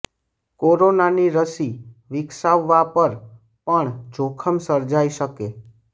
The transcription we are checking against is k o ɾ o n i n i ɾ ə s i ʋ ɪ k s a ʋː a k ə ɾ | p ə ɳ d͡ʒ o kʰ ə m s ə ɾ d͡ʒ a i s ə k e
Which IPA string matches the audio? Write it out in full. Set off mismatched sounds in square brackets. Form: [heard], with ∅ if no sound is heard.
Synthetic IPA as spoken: k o ɾ o n [a] n i ɾ ə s i ʋ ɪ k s a ʋː a [p] ə ɾ | p ə ɳ d͡ʒ o kʰ ə m s ə ɾ d͡ʒ a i [ʃ] ə k e